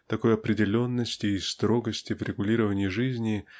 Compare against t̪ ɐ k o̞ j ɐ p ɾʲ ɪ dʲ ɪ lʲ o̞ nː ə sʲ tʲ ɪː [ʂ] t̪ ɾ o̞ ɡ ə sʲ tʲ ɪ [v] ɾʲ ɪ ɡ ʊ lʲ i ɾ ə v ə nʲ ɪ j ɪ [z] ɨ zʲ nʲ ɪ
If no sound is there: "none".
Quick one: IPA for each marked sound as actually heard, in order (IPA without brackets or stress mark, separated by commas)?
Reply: s, v, ʐ